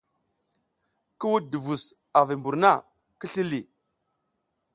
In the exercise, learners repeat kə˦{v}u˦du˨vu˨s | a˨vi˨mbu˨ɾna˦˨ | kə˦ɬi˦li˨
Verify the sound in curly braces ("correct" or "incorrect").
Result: incorrect